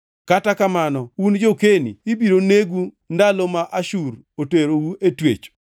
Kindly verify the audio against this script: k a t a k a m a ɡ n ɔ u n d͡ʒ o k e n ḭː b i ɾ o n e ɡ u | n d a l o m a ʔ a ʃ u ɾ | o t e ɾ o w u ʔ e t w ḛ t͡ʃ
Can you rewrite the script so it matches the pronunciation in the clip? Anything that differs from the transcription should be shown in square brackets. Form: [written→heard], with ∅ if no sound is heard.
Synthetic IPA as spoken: k a t a k a m a [ɡ→∅] n ɔ u n d͡ʒ o k e n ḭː b i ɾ o n e ɡ u | n d a l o m a ʔ a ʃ u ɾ | o t e ɾ o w u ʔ e t w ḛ t͡ʃ

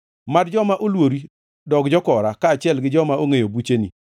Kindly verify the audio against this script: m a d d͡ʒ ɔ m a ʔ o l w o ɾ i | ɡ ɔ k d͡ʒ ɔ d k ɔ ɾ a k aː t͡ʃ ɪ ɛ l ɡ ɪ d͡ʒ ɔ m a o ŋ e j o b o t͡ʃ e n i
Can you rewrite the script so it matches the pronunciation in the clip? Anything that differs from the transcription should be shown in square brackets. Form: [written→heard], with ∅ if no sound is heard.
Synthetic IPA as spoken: m a d d͡ʒ ɔ m a ʔ o l w o ɾ i | [ɡ→d] ɔ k d͡ʒ ɔ [d→∅] k ɔ ɾ a k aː t͡ʃ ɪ ɛ l ɡ ɪ d͡ʒ ɔ m a o ŋ e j o b [o→u] t͡ʃ e n i

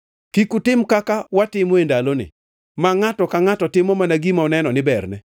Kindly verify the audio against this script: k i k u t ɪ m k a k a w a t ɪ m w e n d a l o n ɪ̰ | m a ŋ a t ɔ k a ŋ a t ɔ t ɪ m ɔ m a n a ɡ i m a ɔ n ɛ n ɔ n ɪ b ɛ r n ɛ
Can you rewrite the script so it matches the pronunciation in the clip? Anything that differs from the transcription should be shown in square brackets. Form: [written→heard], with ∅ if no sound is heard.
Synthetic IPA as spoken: k i k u t ɪ m k a k a w a t ɪ m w e n d a l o n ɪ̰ | m a ŋ a t ɔ k a ŋ a t ɔ t ɪ m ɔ m a n a ɡ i m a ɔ n ɛ n ɔ n ɪ b ɛ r n ɛ

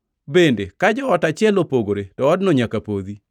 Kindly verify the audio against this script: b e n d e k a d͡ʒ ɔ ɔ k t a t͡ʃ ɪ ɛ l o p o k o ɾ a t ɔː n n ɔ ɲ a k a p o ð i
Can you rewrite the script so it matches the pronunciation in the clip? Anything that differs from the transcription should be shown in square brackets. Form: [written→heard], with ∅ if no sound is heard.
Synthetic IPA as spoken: b e n d e k a d͡ʒ ɔ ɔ [k→∅] t a t͡ʃ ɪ ɛ l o p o [k→ɡ] o ɾ [a→e] t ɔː [n→d] n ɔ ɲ a k a p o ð i

